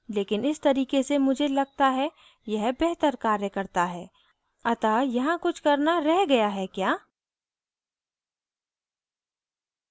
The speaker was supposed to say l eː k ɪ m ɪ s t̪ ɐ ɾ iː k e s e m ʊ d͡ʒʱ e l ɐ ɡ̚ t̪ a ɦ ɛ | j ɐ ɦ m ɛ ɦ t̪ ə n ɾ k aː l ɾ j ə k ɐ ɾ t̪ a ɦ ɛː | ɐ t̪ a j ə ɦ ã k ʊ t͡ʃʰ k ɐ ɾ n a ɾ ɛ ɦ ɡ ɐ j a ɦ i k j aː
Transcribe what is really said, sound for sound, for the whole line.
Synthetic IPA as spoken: l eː k ɪ n ɪ s t̪ ɐ ɾ iː k e s e m ʊ d͡ʒʱ e l ɐ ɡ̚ t̪ a ɦ ɛ | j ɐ ɦ b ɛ ɦ t̪ ə ɾ k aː ɾ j ə k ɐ ɾ t̪ a ɦ ɛː | ɐ t̪ a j ɐ ɦ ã k ʊ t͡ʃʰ k ɐ ɾ n a ɾ ɛ ɦ ɡ ɐ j a ɦ ɛ k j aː